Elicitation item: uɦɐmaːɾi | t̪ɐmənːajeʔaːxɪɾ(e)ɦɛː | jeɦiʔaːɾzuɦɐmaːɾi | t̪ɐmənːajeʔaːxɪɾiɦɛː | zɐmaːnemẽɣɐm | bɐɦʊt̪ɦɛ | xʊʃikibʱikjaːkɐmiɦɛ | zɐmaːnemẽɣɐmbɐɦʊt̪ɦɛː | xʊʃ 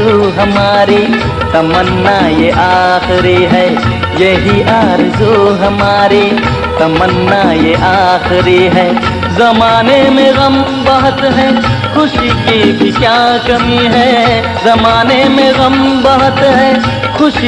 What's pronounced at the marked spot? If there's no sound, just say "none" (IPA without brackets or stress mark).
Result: i